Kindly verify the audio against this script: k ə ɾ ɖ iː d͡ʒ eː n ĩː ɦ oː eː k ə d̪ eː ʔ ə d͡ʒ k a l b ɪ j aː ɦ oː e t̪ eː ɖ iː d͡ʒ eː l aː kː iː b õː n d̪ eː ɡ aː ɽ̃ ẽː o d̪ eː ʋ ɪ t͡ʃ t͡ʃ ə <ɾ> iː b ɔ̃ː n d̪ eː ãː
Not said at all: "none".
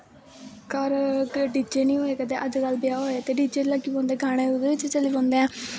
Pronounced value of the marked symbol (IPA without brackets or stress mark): l